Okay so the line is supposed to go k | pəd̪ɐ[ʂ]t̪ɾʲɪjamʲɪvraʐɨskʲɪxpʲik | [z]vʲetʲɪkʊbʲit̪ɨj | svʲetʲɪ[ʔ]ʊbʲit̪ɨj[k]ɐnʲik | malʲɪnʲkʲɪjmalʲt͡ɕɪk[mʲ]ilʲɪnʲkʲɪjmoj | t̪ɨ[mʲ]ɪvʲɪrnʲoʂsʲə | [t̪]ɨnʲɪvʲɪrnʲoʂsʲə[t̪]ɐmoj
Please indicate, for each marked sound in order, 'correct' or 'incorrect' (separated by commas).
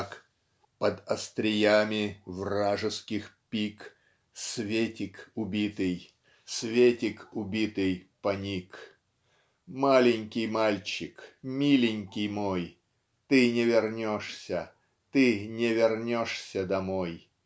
incorrect, incorrect, incorrect, incorrect, correct, incorrect, correct, incorrect